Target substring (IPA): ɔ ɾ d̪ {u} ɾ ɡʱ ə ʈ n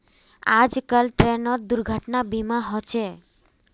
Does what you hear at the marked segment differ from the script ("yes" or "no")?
no